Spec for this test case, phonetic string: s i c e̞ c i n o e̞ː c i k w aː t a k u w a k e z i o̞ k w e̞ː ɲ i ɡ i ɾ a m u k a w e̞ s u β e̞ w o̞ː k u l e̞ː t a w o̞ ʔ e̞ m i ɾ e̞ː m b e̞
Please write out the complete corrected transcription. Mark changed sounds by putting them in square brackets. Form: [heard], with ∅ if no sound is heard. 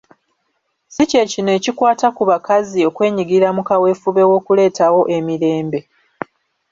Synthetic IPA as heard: s i c e̞ c i n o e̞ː c i k w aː t a k u [β] a k [a] z i o̞ k w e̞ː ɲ i ɡ i ɾ a m u k a w e̞ [f] u β e̞ w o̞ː k u l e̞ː t a w o̞ ʔ e̞ m i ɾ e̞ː m b e̞